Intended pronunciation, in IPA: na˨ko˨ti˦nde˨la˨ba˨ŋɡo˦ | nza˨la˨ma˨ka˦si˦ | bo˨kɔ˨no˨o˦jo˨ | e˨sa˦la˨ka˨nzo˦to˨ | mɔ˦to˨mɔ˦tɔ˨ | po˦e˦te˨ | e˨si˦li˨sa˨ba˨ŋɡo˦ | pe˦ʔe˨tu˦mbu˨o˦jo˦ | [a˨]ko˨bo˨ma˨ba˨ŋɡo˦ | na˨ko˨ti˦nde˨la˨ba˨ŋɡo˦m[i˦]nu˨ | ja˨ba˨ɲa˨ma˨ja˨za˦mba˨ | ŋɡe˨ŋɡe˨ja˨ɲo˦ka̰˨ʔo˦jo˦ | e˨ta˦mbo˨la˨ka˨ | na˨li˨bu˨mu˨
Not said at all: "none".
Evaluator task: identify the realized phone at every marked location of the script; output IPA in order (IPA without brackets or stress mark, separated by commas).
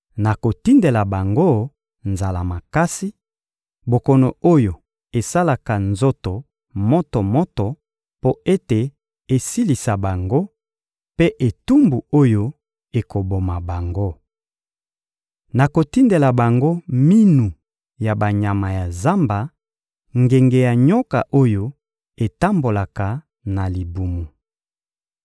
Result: e˨, i˦